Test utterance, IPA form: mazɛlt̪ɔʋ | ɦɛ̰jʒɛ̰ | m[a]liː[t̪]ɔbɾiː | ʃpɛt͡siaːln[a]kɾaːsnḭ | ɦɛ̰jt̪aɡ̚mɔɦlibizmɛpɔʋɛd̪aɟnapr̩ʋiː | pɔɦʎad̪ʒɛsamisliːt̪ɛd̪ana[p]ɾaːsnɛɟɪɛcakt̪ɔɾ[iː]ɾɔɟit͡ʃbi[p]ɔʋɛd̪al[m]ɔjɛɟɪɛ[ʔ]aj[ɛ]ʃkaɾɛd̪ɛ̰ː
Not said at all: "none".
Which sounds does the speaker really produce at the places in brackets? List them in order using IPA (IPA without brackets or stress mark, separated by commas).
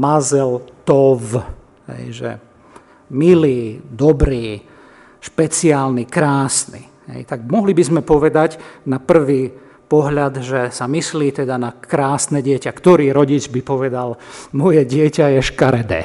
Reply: i, d̪, i, k, iː, p, m, c, ɛ